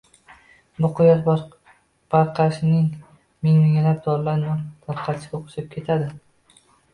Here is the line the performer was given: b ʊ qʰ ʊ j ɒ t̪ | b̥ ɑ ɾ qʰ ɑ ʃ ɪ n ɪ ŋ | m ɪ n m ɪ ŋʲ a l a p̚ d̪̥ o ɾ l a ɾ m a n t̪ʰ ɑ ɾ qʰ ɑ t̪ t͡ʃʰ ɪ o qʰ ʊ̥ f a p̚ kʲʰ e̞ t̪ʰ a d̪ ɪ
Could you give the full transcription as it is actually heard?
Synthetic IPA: b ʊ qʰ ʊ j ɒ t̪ | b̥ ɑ ɾ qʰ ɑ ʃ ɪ n ɪ ŋ | m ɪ ŋ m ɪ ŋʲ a l a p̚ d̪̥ ɒ ɾ l a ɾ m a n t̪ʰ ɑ ɾ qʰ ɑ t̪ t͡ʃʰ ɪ o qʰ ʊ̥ ʃ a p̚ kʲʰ e̞ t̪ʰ a d̪ ɪ